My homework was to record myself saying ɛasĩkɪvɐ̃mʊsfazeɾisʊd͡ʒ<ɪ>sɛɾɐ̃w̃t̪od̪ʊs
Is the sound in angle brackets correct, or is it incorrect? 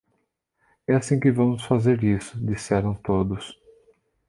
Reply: incorrect